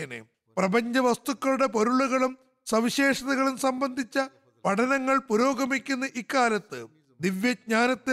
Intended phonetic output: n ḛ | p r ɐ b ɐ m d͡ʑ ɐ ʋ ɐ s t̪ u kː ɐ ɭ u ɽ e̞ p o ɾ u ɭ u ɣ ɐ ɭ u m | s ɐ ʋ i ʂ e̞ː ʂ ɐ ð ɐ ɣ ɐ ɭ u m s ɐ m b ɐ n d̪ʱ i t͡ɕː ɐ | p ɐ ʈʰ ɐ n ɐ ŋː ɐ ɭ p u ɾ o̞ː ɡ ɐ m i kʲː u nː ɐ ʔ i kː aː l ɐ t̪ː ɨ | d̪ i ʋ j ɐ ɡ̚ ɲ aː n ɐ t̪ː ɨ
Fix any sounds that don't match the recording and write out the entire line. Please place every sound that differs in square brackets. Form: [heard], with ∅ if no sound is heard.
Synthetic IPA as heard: n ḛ | p r ɐ b ɐ [ɲ] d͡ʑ ɐ ʋ ɐ s t̪ u kː ɐ ɭ u ɽ e̞ p o ɾ u ɭ u ɣ ɐ ɭ u m | s ɐ ʋ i [ɕ] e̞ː ʂ ɐ ð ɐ ɣ ɐ ɭ u m s ɐ m b ɐ n d̪ʱ i t͡ɕː ɐ | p ɐ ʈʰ ɐ n ɐ ŋː ɐ ɭ p u ɾ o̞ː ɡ ɐ m i kʲː u nː ɐ ʔ i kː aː l ɐ t̪ː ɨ | d̪ i ʋ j ɐ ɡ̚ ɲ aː n ɐ t̪ː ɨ